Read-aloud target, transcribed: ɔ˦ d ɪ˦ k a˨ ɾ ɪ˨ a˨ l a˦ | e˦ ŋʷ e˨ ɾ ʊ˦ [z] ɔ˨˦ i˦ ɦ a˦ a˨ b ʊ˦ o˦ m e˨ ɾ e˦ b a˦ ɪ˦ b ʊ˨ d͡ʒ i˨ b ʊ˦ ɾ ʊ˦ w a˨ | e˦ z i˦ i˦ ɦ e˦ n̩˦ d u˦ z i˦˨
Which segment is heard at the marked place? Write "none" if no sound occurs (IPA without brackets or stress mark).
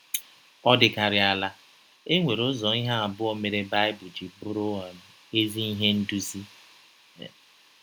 z